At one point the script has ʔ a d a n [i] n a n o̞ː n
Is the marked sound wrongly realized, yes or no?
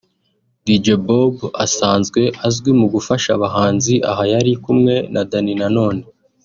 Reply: no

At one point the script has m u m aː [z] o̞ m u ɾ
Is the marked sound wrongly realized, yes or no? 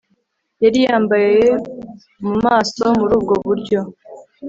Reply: yes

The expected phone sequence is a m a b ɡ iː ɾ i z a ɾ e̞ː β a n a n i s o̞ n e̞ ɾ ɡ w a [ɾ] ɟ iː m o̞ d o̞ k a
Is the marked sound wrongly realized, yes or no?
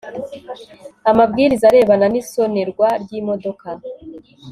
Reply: no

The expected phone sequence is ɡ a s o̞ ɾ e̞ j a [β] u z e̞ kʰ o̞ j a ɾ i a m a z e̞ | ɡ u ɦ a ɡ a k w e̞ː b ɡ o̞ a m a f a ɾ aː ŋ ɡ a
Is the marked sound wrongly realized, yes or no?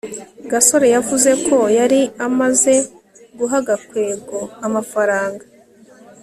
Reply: yes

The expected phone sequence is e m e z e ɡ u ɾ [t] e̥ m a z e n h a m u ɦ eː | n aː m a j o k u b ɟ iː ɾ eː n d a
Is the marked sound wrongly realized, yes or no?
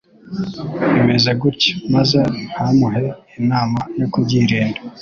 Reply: yes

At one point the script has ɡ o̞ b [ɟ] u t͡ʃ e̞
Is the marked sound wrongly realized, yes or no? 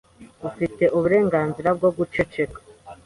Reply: yes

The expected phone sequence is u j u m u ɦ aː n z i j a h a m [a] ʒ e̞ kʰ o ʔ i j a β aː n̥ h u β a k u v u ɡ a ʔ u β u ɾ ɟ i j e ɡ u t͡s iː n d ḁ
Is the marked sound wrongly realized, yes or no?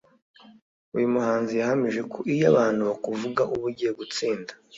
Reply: yes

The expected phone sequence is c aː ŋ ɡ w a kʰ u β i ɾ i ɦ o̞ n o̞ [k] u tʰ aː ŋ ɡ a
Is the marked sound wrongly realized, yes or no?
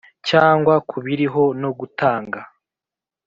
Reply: yes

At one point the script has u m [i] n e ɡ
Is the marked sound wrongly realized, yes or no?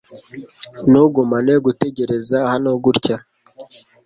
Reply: yes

